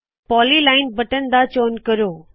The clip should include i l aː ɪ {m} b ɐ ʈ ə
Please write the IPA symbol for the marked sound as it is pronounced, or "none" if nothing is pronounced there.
n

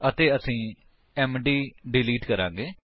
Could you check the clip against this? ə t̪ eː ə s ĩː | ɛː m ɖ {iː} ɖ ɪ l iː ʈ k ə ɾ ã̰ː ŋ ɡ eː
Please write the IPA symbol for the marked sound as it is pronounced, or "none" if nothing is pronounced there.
iː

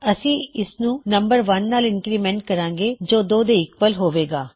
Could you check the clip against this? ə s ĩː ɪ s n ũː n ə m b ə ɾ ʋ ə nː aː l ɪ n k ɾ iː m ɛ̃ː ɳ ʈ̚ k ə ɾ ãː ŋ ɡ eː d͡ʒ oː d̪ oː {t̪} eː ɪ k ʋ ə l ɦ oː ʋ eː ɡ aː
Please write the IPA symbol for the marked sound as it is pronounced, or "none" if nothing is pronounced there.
d̪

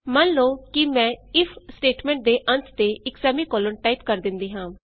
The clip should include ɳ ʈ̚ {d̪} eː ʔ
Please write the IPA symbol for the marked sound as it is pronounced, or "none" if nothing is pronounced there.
d̪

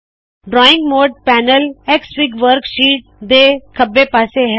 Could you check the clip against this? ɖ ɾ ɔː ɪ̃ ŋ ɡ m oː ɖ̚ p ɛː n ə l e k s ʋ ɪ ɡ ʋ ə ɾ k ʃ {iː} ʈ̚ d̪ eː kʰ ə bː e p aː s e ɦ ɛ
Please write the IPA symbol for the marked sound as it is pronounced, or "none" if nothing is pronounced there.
iː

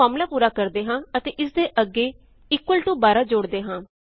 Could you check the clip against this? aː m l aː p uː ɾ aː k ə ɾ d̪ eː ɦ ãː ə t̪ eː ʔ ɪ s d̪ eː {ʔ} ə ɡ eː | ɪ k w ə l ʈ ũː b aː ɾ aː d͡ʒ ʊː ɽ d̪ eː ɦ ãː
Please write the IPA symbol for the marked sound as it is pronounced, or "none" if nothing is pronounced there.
ʔ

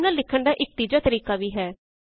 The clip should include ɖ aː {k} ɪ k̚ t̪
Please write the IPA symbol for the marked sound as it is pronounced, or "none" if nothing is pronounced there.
ʔ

